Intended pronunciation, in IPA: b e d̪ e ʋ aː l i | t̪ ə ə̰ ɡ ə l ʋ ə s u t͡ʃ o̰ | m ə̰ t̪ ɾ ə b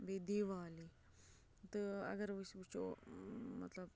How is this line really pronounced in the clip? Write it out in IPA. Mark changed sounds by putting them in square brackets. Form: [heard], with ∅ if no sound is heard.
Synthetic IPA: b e d̪ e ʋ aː l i | t̪ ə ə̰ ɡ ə [ɾ] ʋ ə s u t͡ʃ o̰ | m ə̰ t̪ [l] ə b